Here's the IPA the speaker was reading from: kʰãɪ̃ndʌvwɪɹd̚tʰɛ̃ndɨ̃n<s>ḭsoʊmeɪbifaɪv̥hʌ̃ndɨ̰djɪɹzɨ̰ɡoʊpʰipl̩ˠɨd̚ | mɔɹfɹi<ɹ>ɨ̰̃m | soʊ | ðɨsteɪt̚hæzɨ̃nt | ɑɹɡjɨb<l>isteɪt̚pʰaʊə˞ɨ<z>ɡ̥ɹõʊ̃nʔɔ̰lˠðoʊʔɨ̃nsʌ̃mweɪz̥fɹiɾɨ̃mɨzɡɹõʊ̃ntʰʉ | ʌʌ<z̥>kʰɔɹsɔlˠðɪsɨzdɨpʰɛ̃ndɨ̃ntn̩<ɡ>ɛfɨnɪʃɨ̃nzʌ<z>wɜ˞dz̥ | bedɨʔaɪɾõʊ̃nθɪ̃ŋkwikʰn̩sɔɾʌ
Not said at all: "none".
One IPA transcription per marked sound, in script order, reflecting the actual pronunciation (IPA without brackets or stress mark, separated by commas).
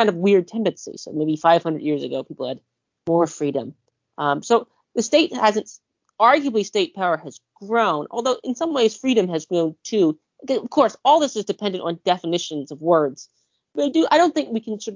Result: s, ɾ, l, z, v̥, d, v